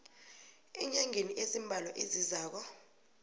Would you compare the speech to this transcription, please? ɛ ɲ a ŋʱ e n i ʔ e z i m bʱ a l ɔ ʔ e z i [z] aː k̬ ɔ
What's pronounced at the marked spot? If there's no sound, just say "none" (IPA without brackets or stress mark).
z